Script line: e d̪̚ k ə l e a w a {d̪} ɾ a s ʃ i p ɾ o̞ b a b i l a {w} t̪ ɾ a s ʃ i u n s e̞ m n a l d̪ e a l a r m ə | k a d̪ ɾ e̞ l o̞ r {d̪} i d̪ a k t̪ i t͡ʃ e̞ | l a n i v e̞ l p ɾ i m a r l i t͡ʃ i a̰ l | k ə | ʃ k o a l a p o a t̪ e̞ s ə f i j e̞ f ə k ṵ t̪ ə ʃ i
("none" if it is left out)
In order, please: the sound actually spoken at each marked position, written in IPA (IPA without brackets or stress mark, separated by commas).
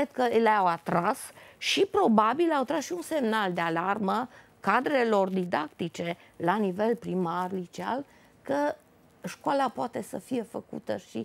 t̪, w, d̪